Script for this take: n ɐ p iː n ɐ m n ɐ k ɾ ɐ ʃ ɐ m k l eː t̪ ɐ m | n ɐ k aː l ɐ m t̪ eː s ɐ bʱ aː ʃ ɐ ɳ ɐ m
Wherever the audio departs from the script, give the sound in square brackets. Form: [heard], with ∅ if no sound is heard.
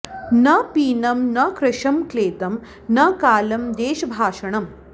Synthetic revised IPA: n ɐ p iː n ɐ m n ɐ k ɾ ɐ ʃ ɐ m k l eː t̪ ɐ m | n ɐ k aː l ɐ m [d̪] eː [ʃ] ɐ bʱ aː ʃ ɐ ɳ ɐ m